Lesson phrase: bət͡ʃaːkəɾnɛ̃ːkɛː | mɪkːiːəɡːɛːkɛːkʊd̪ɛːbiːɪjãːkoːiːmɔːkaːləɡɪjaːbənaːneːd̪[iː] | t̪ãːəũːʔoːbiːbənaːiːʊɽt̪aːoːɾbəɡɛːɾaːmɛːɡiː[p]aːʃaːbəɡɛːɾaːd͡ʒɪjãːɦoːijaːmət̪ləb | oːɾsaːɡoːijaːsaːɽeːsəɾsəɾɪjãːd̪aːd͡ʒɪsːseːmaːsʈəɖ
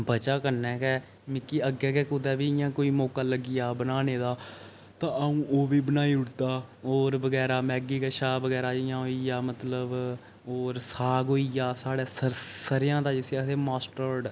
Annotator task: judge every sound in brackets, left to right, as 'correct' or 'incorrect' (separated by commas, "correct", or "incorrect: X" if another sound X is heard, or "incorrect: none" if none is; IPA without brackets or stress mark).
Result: incorrect: aː, incorrect: k